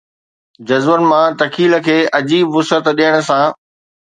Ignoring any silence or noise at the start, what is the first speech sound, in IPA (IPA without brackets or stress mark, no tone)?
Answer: d͡ʑ